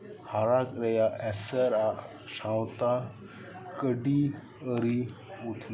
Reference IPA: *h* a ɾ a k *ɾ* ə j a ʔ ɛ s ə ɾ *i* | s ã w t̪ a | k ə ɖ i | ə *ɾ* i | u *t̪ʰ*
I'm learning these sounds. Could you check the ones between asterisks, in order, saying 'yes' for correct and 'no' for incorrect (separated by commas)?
yes, yes, no, yes, yes